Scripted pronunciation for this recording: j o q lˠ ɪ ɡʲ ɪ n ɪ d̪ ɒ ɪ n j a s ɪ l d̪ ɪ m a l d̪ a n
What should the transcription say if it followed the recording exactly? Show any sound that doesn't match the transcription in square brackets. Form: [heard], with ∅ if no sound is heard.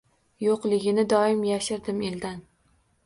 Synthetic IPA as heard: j o q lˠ ɪ ɡʲ ɪ n ɪ d̪ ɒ ɪ [m] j a [ʃ] ɪ [ɾ] d̪ ɪ m [e] l d̪ a n